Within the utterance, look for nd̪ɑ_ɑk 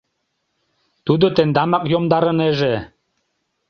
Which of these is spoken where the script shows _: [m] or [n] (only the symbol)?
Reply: m